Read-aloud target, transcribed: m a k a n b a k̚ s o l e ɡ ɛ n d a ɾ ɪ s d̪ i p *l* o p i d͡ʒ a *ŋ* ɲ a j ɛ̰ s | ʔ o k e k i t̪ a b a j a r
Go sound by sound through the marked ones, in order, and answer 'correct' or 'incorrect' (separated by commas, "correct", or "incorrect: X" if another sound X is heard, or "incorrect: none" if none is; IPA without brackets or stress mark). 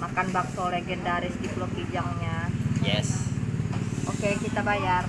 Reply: correct, correct